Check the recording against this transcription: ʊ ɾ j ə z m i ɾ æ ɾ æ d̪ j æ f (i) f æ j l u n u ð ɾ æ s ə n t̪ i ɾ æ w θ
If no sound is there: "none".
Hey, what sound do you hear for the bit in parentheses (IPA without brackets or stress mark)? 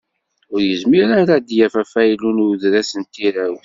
æ